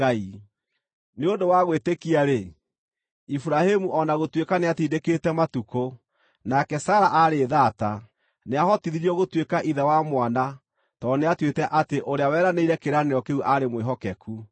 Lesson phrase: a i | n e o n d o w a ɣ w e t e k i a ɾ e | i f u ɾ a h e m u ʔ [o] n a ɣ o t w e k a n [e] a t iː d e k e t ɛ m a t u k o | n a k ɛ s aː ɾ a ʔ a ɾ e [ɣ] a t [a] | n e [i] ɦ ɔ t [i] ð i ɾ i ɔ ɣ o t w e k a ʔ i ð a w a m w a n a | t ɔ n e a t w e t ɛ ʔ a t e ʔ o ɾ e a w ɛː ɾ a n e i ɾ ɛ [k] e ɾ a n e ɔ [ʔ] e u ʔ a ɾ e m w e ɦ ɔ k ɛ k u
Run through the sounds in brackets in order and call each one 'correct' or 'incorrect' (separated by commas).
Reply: incorrect, correct, incorrect, correct, incorrect, correct, correct, incorrect